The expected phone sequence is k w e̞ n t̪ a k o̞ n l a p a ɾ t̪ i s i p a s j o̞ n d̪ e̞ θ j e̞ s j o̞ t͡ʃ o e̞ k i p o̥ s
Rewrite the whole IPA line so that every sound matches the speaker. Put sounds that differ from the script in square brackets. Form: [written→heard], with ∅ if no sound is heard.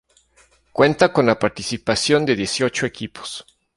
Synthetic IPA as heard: k w e̞ n t̪ a k o̞ n l a p a ɾ t̪ i s i p a s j o̞ n d̪ e̞ [θ→ð] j e̞ s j o̞ t͡ʃ o e̞ k i p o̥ s